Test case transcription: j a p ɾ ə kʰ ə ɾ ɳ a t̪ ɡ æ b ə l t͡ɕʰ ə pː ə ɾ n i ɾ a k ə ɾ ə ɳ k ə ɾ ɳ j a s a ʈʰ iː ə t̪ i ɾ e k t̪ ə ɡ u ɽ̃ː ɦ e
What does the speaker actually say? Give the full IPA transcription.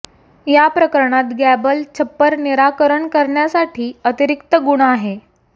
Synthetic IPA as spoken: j a p ɾ ə k ə ɾ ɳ a t̪ ɡ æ b ə l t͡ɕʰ ə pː ə ɾ n i ɾ a k ə ɾ ə ɳ k ə ɾ ɳ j a s a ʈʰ iː ə t̪ i ɾ i k t̪ ə ɡ u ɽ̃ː ɦ e